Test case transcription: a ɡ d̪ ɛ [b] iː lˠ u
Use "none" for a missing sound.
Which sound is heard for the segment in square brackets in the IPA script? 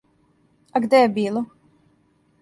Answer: b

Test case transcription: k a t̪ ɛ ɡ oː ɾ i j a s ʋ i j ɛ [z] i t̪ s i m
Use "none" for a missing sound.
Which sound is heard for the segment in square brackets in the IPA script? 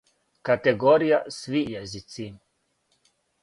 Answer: z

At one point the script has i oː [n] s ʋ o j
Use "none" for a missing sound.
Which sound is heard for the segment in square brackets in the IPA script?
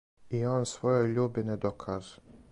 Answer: n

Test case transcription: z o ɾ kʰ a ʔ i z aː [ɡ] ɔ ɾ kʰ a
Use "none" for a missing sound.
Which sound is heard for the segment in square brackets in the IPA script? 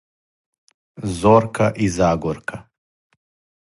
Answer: ɡ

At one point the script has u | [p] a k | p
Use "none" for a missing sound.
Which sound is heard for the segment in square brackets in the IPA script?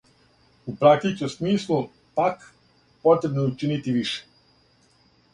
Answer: p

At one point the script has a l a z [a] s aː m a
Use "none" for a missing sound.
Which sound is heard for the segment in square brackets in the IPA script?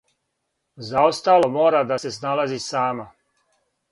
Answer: i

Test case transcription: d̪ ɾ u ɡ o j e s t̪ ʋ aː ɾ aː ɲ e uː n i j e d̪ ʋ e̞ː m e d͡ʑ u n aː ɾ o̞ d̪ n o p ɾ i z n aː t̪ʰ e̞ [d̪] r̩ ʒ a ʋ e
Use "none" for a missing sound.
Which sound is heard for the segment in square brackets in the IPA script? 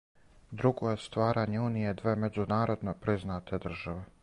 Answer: d̪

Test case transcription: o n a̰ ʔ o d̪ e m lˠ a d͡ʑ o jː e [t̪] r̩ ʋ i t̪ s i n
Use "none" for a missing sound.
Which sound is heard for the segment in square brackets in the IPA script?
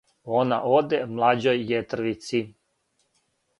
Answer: t̪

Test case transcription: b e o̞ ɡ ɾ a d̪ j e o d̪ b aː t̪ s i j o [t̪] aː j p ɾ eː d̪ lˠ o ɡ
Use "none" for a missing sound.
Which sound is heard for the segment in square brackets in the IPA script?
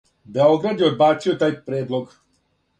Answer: t̪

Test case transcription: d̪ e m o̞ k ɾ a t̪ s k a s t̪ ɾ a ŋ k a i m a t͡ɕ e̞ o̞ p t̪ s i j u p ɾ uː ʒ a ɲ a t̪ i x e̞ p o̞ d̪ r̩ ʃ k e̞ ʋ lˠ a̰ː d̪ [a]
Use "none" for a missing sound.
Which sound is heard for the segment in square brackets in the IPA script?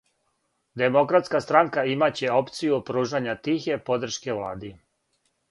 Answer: i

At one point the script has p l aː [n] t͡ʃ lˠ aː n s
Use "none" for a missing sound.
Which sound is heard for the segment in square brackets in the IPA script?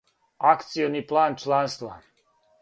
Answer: n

